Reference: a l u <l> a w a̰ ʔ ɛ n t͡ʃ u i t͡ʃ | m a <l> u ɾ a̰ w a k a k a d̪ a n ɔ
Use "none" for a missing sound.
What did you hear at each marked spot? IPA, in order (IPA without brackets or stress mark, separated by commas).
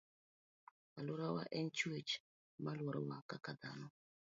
ɾ, l